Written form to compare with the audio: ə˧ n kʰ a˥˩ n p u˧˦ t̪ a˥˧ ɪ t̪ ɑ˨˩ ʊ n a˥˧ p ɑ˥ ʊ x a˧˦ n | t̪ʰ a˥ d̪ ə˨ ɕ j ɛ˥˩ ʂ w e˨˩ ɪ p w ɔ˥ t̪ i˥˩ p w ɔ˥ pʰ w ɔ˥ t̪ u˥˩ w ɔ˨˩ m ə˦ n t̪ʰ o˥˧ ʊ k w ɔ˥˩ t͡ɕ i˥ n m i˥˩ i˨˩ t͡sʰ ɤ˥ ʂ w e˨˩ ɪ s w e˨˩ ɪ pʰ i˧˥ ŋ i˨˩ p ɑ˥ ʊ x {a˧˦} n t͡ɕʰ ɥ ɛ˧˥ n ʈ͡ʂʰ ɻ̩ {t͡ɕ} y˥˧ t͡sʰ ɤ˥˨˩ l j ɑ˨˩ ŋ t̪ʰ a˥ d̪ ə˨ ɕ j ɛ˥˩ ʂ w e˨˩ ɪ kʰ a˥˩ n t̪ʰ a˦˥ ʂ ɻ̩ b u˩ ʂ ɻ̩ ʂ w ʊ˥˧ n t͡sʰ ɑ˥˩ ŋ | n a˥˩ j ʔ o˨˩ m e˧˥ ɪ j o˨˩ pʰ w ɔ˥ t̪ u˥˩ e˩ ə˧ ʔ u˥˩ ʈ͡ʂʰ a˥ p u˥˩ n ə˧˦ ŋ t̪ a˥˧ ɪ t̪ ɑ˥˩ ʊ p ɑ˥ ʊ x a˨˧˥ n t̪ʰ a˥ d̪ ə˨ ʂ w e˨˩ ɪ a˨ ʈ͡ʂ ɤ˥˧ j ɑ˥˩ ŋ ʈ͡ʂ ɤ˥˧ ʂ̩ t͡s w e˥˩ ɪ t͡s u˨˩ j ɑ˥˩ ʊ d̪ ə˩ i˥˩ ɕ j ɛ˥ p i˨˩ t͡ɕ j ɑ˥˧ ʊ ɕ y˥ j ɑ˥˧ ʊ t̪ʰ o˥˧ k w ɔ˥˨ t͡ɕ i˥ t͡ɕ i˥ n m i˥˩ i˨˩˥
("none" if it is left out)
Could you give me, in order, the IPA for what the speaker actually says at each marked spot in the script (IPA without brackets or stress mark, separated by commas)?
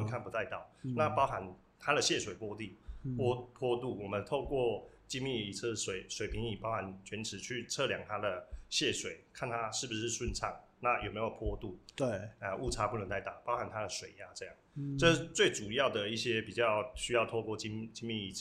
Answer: a˧˦, t͡ɕʰ